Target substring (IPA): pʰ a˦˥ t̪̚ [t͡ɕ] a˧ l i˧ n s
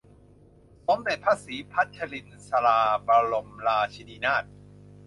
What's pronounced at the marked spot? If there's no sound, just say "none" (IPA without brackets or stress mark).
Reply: t͡ɕʰ